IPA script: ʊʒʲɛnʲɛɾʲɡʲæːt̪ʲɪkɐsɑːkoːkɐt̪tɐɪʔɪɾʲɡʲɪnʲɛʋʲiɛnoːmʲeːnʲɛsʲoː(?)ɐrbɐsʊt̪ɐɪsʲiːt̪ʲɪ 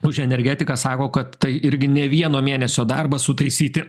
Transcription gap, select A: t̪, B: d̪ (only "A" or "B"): B